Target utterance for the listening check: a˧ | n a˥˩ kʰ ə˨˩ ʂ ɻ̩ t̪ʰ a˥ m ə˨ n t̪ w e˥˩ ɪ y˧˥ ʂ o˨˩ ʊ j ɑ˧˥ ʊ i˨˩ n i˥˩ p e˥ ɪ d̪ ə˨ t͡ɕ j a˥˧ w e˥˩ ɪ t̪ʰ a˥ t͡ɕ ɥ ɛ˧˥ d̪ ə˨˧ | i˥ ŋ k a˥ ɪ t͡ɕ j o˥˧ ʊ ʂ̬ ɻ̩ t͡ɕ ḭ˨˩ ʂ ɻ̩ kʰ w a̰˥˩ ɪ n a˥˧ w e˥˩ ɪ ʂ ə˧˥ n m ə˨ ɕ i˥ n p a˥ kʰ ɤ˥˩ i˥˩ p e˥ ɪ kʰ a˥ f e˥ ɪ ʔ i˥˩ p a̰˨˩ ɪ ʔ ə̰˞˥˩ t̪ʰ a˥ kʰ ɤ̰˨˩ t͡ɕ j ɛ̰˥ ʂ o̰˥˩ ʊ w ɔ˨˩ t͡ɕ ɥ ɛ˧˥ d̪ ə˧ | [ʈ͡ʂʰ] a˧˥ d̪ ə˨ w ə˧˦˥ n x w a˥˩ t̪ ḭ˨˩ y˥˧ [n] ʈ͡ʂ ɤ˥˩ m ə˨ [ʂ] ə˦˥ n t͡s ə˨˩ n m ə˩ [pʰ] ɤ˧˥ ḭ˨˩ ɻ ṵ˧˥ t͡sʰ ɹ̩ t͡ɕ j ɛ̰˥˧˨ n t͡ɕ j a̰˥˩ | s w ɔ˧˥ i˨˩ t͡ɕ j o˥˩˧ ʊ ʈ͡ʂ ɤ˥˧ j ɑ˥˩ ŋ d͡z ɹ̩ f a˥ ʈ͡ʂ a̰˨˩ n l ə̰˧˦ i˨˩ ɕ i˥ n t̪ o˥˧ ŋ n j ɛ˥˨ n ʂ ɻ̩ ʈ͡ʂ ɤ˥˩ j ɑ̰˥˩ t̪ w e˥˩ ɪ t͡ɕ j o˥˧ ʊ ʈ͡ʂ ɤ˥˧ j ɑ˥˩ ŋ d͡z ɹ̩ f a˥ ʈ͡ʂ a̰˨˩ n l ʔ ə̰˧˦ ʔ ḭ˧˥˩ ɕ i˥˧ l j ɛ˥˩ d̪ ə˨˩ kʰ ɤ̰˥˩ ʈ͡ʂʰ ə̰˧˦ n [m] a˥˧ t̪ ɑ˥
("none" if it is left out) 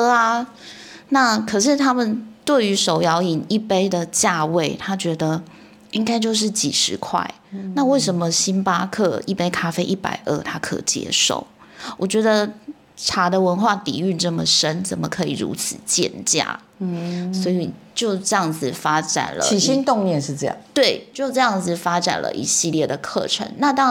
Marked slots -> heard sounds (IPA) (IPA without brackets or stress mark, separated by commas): ʈ͡ʂʰ, n, ʂ, kʰ, n